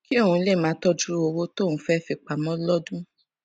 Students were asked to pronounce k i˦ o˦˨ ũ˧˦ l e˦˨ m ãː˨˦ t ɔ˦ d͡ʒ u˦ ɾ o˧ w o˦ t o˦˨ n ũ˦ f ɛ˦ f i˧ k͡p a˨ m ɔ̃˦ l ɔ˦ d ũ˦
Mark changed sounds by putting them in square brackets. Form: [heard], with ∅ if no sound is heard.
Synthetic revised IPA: k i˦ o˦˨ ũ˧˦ l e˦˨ m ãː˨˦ t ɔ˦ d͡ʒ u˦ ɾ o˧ w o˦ t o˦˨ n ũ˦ f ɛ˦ f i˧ k͡p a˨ m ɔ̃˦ l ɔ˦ d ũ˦